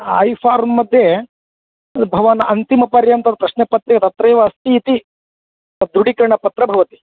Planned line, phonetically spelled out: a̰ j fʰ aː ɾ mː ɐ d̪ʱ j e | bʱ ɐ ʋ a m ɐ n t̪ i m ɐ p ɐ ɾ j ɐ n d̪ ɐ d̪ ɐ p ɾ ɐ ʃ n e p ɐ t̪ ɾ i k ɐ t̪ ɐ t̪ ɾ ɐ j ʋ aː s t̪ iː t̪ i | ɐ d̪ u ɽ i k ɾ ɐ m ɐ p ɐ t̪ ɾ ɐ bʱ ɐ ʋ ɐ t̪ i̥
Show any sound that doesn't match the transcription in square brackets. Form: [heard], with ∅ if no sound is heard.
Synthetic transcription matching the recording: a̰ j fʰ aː ɾ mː ɐ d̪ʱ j e | bʱ ɐ ʋ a [n] ɐ n t̪ i m ɐ p ɐ ɾ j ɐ n [t̪] ɐ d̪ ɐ p ɾ ɐ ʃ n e p ɐ t̪ ɾ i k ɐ t̪ ɐ t̪ ɾ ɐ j ʋ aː s t̪ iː t̪ i | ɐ d̪ u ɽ i k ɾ ɐ [ɳ] ɐ p ɐ t̪ ɾ ɐ bʱ ɐ ʋ ɐ t̪ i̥